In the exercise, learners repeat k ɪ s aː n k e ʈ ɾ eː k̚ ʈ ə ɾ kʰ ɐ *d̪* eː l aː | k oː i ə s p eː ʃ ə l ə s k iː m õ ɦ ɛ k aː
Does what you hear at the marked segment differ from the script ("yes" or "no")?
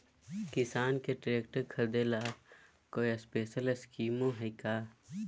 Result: no